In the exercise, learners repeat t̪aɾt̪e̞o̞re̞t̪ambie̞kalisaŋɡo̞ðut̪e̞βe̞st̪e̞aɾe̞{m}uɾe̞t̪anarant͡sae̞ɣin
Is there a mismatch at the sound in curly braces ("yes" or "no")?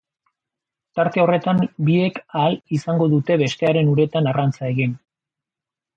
yes